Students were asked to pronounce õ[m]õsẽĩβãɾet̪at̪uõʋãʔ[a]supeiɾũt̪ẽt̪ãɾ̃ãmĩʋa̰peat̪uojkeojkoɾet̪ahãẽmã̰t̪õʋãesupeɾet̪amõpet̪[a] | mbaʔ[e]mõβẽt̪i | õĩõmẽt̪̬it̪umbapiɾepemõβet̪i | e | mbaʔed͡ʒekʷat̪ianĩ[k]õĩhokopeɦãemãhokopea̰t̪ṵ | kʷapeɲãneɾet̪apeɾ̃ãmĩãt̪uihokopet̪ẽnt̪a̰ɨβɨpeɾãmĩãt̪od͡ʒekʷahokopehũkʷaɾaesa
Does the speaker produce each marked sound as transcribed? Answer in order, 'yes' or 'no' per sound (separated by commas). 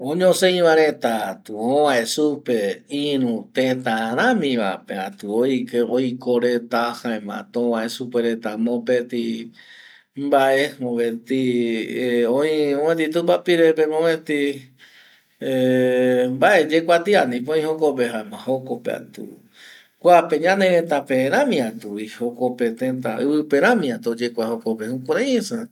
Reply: no, no, no, yes, no